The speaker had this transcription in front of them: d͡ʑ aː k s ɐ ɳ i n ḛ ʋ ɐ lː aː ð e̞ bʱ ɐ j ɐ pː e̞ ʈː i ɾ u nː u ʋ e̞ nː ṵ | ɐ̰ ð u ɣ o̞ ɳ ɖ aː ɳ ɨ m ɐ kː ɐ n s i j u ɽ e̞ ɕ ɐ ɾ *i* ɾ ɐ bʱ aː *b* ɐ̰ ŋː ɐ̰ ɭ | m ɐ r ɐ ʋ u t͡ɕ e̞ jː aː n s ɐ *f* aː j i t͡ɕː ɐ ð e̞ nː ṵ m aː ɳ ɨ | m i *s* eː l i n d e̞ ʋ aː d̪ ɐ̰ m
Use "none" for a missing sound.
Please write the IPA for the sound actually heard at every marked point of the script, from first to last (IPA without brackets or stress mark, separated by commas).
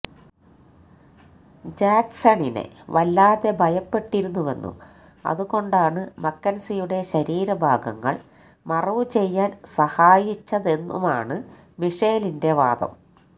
iː, ɡ, h, ʂ